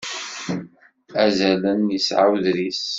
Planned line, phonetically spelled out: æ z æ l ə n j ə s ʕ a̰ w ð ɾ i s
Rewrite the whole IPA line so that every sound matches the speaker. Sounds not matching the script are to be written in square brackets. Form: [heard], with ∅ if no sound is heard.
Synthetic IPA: æ z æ l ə n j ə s ʕ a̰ w ð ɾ i s